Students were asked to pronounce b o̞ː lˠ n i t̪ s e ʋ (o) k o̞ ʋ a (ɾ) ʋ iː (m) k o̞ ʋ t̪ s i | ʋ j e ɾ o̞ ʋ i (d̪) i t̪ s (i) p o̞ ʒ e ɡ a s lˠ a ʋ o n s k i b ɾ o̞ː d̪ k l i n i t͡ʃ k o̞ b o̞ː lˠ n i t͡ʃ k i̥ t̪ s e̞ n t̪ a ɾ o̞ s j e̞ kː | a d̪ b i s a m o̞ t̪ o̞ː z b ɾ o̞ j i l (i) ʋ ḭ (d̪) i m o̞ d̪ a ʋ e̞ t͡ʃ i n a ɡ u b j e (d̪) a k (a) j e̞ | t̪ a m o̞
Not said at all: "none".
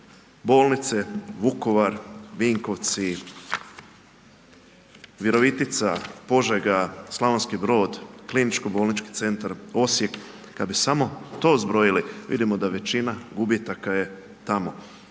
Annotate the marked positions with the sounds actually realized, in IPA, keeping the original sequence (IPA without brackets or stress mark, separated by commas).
u, ɾ, ŋ, t̪, a, i, d̪, t̪, a